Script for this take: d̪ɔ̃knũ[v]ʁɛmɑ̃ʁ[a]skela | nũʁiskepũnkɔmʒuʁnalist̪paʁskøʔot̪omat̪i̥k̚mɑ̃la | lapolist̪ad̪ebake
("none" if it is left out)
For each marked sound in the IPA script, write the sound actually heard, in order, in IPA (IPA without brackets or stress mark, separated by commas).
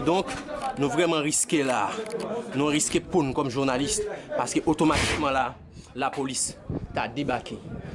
v, i